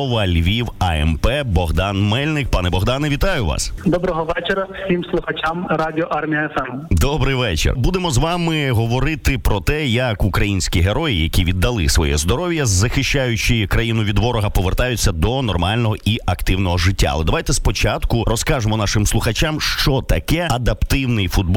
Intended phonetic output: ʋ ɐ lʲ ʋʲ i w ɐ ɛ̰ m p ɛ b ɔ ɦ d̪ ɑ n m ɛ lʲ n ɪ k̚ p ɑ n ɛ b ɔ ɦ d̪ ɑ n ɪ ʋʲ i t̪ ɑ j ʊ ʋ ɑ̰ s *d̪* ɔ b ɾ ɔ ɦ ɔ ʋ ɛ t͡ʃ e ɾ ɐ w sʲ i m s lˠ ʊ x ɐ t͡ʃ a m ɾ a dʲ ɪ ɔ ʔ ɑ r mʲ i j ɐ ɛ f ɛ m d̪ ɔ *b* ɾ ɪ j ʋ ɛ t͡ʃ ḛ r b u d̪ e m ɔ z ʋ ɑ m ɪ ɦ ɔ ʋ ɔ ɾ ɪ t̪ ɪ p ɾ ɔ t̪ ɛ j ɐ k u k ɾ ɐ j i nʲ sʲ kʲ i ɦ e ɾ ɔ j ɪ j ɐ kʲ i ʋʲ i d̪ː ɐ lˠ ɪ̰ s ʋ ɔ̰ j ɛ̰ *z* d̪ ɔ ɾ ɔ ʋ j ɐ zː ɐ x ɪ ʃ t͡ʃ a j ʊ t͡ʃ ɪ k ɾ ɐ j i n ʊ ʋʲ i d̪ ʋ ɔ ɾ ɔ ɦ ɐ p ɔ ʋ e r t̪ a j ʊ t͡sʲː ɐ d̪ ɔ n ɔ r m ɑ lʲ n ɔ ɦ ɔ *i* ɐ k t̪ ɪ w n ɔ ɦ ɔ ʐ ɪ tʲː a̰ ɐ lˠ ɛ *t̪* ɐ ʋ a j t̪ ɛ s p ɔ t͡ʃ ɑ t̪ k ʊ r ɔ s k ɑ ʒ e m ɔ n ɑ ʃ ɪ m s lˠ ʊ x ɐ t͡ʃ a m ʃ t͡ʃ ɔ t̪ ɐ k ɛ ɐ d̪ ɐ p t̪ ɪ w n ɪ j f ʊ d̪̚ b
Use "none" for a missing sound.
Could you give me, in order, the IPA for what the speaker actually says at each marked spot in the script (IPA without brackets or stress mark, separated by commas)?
d̪, b, z, i, d̪